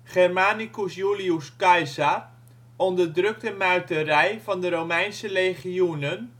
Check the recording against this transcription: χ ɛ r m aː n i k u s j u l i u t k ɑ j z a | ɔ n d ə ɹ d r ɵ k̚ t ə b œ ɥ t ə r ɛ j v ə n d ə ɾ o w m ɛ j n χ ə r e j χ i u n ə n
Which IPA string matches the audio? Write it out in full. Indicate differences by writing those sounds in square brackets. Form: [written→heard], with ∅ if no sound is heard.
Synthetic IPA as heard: χ ɛ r m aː n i k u s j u l i u [t→s] k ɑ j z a | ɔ n d ə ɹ d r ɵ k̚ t ə [b→m] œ ɥ t ə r ɛ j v [ə→ɑ] n d ə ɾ o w m ɛ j n [χ→s] ə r e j χ i u n ə n